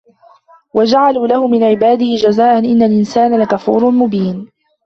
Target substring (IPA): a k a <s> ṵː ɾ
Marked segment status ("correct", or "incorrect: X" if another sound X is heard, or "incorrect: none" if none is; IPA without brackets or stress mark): incorrect: f